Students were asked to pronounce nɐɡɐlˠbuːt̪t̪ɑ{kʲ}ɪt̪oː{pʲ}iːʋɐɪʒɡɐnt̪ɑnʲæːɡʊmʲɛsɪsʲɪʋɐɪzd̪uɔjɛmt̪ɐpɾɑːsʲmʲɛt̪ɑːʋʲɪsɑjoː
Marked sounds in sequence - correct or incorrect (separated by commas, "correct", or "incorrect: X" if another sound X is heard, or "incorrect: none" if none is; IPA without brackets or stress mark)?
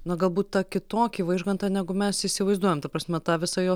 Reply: correct, incorrect: kʲ